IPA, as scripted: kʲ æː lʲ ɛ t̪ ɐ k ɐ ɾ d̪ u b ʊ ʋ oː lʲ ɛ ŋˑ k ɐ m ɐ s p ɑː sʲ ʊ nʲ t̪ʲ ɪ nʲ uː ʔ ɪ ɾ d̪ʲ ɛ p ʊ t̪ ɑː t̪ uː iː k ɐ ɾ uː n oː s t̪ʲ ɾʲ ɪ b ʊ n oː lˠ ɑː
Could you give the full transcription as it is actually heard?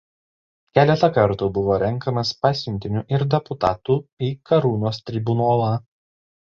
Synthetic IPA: kʲ æː lʲ ɛ t̪ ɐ k ɐ ɾ t̪ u b ʊ ʋ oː ɾʲ ɛ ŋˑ k ɐ m ɐ s p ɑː sʲ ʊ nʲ t̪ʲ ɪ nʲ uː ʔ ɪ ɾ d̪ʲ ɛ p ʊ t̪ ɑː t̪ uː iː k ɐ ɾ uː n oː s t̪ʲ ɾʲ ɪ b ʊ n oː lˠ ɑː